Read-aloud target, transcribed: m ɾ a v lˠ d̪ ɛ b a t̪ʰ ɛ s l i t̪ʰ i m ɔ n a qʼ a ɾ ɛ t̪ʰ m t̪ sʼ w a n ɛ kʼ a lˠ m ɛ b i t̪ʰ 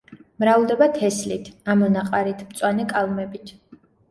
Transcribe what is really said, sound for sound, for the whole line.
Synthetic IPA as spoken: m ɾ a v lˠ d̪ ɛ b a t̪ʰ ɛ s l i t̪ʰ a m ɔ n a qʼ a ɾ i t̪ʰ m t̪ sʼ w a n ɛ kʼ a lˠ m ɛ b i t̪ʰ